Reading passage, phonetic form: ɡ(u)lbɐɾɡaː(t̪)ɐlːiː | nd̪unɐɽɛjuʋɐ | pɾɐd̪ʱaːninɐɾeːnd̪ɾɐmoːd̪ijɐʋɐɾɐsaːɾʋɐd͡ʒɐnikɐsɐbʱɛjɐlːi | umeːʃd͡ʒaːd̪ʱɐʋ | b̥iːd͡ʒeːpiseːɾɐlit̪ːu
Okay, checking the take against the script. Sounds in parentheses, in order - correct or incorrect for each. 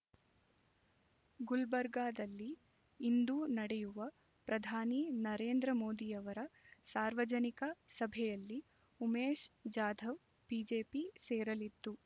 correct, incorrect: d̪

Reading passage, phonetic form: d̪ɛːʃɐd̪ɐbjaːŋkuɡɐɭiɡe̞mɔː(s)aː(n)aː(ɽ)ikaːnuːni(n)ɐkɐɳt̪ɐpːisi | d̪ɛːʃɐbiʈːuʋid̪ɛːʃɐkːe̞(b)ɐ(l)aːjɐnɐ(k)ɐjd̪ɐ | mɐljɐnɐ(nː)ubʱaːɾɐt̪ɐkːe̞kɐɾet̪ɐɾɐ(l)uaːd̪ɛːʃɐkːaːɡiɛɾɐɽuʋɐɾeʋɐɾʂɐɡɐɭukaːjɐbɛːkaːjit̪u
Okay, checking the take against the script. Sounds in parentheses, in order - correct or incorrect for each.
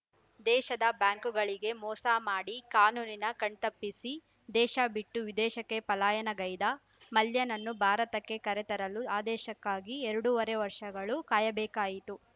correct, incorrect: m, correct, correct, incorrect: p, correct, incorrect: ɡ, correct, correct

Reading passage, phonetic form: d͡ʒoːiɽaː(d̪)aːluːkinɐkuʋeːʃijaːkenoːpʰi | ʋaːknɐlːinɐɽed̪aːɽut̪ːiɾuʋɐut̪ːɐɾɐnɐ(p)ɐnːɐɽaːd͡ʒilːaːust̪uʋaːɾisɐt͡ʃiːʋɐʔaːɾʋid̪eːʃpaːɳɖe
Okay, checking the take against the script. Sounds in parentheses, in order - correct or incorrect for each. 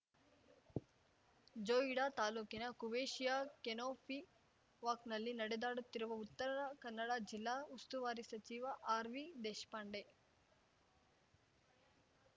incorrect: t̪, incorrect: k

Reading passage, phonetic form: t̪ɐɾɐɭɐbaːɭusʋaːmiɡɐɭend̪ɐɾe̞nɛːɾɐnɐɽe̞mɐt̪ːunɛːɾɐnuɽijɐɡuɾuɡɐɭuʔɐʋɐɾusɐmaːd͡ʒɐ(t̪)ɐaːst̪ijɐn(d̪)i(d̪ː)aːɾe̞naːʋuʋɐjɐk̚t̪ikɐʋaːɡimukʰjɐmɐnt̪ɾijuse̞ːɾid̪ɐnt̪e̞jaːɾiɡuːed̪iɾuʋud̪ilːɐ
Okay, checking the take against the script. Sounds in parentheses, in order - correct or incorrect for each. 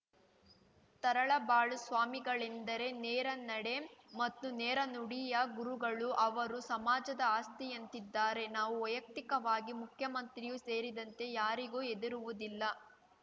incorrect: d̪, incorrect: t̪, correct

